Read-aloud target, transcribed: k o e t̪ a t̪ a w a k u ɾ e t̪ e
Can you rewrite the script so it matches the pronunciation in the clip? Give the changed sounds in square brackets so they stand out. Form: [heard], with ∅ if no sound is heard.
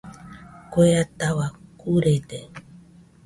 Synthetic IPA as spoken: k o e [∅] a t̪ a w a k u ɾ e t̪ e